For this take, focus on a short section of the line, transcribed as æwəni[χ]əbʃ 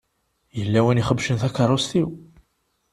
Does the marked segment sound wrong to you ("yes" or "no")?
no